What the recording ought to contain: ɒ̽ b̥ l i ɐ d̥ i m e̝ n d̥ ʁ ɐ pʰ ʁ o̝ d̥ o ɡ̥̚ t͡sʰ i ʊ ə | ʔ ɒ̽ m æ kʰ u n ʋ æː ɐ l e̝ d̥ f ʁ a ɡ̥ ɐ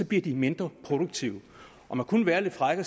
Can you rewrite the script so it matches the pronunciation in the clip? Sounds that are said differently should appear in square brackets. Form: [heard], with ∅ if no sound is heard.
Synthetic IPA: ɒ̽ b̥ l i ɐ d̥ i m e̝ n d̥ ʁ ɐ pʰ ʁ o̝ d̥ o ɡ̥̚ t͡sʰ i ʊ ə | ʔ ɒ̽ m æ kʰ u n ʋ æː ɐ l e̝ d̥ f ʁ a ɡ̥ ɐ